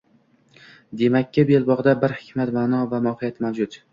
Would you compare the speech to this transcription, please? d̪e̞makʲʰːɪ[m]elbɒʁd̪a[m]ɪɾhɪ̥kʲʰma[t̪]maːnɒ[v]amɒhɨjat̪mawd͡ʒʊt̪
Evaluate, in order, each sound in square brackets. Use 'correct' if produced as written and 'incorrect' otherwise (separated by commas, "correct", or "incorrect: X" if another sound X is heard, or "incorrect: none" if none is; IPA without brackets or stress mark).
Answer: incorrect: b, incorrect: b, correct, correct